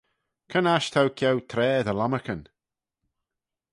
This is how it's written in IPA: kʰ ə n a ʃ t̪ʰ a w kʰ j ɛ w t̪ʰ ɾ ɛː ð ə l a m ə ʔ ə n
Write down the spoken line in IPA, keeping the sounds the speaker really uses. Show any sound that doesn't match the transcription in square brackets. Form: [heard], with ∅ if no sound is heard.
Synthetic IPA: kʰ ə n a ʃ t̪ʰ a w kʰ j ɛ w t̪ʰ ɾ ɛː ð ə l a m ə [k] ə n